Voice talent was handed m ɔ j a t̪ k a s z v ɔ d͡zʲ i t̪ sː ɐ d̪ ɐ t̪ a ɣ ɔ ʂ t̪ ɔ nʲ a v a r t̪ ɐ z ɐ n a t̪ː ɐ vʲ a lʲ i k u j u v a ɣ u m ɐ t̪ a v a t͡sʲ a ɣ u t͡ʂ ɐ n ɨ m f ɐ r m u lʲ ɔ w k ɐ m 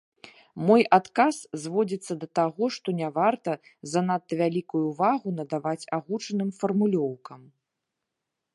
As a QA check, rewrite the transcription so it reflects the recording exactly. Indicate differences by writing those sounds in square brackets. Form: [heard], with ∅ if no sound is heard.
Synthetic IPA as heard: m ɔ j a t̪ k a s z v ɔ d͡zʲ i t̪ sː ɐ d̪ ɐ t̪ a ɣ ɔ ʂ t̪ ɔ nʲ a v a r t̪ ɐ z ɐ n a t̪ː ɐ vʲ a lʲ i k u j u v a ɣ u [n] ɐ [d̪] a v a t͡sʲ a ɣ u t͡ʂ ɐ n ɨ m f ɐ r m u lʲ ɔ w k ɐ m